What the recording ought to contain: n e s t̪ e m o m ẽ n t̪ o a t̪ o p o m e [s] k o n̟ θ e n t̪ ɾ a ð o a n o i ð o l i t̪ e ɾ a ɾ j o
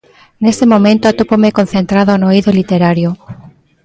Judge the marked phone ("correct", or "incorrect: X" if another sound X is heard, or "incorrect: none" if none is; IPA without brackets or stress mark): incorrect: none